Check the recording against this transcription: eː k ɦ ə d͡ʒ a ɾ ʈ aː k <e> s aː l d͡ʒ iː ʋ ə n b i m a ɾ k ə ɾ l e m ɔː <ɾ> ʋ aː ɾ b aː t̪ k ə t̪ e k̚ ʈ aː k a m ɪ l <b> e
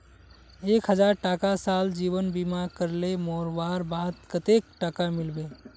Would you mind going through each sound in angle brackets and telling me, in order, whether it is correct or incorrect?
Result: incorrect: a, correct, correct

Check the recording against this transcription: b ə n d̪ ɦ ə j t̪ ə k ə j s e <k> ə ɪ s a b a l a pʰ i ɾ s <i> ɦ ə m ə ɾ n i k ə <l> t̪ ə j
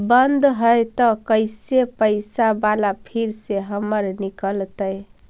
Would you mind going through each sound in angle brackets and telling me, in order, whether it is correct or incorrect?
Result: incorrect: p, incorrect: e, correct

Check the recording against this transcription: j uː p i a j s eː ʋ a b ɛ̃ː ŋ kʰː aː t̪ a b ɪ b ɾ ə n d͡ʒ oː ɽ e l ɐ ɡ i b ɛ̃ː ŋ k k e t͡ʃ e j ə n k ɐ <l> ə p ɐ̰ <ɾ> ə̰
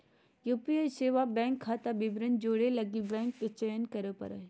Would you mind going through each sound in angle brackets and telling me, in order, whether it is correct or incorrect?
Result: incorrect: ɾ, correct

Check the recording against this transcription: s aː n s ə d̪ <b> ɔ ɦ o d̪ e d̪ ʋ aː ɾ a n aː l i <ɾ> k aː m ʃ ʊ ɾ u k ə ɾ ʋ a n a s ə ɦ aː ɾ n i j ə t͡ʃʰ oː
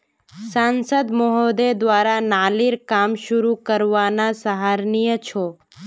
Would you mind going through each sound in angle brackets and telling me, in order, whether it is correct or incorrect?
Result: incorrect: m, correct

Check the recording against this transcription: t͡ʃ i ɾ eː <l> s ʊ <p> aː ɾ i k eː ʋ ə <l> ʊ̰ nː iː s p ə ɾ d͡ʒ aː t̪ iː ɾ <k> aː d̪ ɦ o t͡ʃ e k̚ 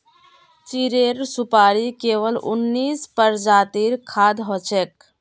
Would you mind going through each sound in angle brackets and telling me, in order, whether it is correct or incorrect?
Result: incorrect: ɾ, correct, correct, incorrect: kʰ

